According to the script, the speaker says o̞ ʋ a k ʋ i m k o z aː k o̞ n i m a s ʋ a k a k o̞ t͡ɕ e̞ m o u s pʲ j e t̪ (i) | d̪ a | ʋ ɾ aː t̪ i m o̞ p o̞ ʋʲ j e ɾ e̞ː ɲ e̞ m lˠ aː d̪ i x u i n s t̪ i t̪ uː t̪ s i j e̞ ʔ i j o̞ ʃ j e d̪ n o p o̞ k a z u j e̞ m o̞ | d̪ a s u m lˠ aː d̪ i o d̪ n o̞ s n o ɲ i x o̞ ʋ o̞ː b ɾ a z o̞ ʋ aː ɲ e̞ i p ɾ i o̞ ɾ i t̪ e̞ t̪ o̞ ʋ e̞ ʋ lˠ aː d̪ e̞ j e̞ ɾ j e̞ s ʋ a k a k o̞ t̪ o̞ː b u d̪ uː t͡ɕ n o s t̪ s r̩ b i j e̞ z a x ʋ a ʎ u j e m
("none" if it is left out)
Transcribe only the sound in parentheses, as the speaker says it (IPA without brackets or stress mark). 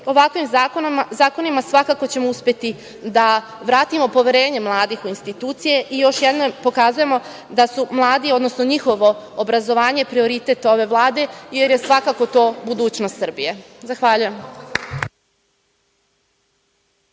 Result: i